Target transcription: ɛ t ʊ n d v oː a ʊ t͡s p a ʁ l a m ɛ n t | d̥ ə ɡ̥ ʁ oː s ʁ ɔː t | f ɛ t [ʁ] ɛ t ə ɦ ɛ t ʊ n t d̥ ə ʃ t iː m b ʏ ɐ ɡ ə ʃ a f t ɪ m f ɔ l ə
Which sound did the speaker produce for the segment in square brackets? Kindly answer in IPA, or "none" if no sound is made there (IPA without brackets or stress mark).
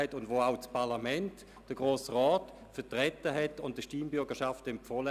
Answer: ʁ